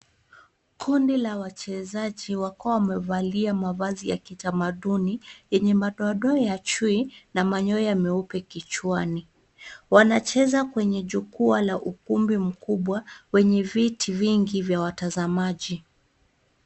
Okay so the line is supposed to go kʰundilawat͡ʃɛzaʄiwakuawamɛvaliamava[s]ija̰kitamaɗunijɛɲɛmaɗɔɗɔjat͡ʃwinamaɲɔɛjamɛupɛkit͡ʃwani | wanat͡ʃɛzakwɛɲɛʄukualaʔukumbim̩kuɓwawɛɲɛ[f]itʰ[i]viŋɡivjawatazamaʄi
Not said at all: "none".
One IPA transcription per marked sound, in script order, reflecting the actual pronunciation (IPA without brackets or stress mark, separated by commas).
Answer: z, v, i